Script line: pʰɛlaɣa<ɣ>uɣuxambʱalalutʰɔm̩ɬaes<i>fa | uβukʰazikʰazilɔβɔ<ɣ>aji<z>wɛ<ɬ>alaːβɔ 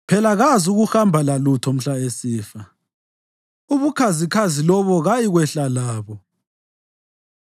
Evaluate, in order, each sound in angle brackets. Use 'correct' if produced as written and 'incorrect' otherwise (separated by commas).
incorrect, incorrect, correct, incorrect, correct